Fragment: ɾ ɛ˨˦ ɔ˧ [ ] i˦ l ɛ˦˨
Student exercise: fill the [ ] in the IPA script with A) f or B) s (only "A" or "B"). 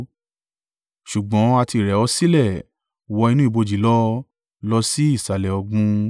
B